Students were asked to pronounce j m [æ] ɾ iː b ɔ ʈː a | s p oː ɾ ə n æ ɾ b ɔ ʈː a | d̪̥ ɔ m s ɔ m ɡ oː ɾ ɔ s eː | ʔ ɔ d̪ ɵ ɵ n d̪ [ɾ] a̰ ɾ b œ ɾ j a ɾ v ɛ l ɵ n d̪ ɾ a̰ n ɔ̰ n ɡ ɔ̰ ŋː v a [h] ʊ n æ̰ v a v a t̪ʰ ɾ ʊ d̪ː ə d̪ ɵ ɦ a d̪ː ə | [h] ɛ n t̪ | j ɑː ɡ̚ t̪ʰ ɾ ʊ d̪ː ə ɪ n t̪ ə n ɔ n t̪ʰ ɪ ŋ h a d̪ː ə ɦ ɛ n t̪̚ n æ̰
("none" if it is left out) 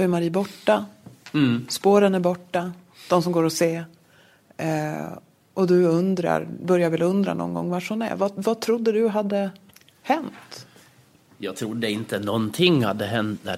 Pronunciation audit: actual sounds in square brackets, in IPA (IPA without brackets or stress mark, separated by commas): a, ɾ, ʂ, h